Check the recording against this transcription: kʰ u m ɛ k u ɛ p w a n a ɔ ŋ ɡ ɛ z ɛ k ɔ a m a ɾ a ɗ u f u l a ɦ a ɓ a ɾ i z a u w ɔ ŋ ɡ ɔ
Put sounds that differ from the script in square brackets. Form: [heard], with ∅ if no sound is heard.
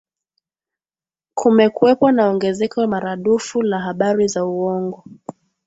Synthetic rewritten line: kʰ u m ɛ k u ɛ p w a n a ɔ ŋ ɡ ɛ z ɛ k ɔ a m a ɾ a ɗ u f u l a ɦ a ɓ a ɾ i z a u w ɔ ŋ ɡ ɔ